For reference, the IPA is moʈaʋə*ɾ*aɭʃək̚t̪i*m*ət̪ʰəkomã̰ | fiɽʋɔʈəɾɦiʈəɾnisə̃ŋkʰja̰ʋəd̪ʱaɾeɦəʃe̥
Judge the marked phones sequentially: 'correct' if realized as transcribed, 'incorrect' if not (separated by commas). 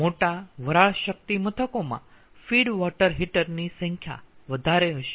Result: correct, correct